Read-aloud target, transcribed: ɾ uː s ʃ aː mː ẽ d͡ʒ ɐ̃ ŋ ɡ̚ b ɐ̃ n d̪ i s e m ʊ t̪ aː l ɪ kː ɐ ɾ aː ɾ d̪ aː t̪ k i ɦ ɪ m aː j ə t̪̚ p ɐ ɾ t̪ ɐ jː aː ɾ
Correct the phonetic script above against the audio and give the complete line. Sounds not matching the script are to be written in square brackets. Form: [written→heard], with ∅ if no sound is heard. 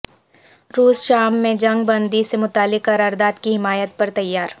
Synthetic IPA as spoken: ɾ uː s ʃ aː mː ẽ d͡ʒ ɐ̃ ŋ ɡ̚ b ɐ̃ n d̪ i s e m ʊ t̪ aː l ɪ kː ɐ ɾ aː ɾ d̪ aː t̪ k i ɦ ɪ m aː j ə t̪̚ p ɐ ɾ t̪ ɐ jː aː ɾ